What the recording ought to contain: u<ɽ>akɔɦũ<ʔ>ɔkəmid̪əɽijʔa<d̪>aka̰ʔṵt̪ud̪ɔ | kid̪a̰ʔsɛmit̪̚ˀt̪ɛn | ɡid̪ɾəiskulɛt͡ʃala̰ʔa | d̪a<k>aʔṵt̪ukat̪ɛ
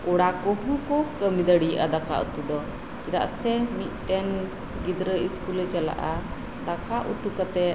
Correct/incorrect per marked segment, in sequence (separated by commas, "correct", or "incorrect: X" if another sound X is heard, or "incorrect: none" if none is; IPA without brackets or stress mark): correct, incorrect: k, correct, correct